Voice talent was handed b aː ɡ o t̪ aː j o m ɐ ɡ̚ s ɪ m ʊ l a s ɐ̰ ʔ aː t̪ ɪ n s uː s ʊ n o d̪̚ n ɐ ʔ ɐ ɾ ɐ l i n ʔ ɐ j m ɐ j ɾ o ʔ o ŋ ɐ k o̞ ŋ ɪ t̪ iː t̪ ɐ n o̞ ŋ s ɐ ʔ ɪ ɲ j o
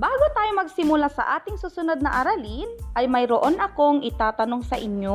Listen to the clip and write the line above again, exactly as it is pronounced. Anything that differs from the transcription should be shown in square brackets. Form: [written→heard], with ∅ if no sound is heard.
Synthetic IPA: b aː ɡ o t̪ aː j o m ɐ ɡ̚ s ɪ m ʊ l a s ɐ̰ ʔ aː t̪ ɪ [n→ŋ] s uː s ʊ n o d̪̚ n ɐ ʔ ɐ ɾ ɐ l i n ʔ ɐ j m ɐ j ɾ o ʔ o [ŋ→n] ɐ k o̞ ŋ ɪ t̪ [iː→aː] t̪ ɐ n o̞ ŋ s ɐ ʔ ɪ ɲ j o